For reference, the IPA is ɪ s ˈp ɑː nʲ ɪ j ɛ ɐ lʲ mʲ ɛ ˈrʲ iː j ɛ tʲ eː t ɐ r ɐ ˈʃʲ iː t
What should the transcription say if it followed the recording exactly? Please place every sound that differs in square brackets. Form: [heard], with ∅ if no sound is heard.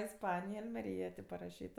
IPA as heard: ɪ s ˈp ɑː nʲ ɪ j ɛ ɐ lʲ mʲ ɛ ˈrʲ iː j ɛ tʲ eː [p] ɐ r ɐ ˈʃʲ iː t